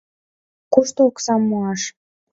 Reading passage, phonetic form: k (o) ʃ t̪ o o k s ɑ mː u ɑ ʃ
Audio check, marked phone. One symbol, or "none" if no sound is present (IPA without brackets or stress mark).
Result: u